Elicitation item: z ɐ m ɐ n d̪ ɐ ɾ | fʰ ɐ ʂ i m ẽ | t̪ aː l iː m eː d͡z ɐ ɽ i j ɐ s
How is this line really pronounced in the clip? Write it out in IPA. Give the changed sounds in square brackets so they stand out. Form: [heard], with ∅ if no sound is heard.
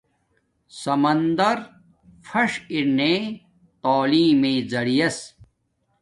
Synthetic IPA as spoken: [s] ɐ m ɐ n d̪ ɐ ɾ | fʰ ɐ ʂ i [n] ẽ | t̪ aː l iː m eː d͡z ɐ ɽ i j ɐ s